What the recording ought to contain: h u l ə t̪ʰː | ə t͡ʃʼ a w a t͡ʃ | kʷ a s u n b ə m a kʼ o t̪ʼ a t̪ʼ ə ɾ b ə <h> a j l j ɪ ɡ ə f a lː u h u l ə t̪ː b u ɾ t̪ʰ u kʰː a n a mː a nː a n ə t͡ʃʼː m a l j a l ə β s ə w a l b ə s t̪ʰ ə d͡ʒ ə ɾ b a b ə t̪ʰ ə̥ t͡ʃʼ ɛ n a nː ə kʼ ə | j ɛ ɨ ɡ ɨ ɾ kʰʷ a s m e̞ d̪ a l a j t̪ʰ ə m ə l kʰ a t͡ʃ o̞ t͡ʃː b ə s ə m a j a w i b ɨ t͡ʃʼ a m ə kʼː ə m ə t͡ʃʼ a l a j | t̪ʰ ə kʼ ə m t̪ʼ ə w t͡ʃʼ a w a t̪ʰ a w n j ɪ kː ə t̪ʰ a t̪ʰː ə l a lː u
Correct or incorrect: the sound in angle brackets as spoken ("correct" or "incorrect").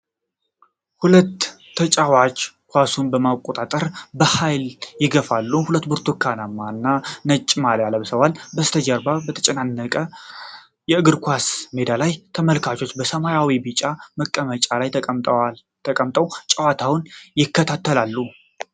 correct